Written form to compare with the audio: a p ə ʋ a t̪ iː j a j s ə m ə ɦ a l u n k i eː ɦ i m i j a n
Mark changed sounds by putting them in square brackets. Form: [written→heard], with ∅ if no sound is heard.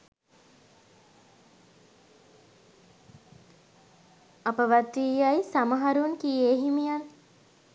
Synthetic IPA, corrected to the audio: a p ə ʋ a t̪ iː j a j s [ə→a] m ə ɦ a [l→ɾ] u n k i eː ɦ i m i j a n